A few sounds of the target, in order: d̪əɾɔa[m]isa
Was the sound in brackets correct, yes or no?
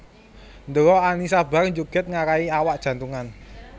no